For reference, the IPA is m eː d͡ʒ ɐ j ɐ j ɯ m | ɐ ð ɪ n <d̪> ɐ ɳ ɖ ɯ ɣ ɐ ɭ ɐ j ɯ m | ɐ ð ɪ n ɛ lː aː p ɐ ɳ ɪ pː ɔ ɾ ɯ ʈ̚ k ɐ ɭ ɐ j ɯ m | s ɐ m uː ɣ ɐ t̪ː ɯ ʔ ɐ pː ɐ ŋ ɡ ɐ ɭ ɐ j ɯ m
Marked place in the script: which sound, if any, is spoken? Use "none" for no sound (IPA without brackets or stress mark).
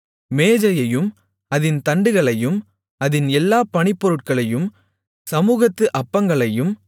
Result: t̪